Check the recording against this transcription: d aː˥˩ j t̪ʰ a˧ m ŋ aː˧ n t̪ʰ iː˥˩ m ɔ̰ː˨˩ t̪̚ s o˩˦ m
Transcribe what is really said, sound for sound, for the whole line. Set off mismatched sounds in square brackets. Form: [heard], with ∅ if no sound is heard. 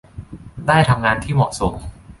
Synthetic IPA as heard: d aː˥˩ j t̪ʰ a˧ m ŋ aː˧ n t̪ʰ iː˥˩ m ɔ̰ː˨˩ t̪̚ s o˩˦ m